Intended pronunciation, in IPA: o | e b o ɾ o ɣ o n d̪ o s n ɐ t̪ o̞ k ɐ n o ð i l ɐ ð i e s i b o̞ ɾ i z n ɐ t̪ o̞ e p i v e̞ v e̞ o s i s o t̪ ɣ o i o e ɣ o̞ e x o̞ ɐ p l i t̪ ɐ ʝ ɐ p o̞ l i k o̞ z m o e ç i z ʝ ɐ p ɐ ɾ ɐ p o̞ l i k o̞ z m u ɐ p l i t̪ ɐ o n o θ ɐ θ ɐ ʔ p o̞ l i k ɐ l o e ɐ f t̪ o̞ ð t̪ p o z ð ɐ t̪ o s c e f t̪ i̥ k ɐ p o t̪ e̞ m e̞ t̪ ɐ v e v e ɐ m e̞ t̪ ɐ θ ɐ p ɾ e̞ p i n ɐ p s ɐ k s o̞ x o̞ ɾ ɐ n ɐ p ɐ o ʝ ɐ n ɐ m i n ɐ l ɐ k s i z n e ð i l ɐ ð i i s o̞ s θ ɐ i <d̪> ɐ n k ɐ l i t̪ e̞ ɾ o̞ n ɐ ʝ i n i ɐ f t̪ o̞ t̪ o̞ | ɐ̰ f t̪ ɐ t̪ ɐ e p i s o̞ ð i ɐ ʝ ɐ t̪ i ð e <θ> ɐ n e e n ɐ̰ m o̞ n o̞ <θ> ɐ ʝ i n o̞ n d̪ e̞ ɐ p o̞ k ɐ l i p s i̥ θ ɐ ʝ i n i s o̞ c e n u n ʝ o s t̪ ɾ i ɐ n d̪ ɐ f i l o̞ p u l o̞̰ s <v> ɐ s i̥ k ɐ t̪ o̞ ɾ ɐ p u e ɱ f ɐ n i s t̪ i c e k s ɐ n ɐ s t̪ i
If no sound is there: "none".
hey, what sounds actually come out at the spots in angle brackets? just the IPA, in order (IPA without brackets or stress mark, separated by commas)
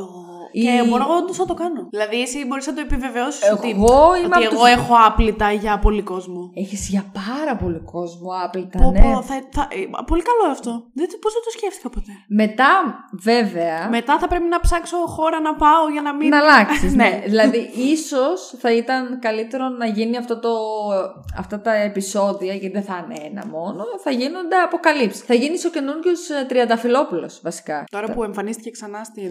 t̪, θ, θ, v